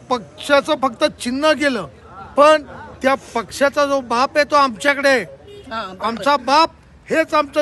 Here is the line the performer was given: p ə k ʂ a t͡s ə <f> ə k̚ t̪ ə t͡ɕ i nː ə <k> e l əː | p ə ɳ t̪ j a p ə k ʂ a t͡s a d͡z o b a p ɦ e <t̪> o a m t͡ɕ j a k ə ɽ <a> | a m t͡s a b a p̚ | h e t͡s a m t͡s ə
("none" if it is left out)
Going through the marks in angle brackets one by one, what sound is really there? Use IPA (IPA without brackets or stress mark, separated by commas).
f, ɡ, t̪, e